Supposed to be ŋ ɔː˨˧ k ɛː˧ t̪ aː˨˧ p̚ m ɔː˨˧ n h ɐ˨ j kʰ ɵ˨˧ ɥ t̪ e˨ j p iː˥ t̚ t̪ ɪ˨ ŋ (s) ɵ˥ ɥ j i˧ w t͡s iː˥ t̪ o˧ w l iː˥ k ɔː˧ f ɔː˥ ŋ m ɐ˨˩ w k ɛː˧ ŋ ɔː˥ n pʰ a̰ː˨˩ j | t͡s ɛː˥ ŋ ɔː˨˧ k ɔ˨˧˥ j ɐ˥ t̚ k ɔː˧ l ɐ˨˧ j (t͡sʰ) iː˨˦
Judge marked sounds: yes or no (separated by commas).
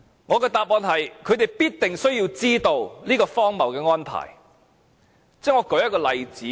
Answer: yes, no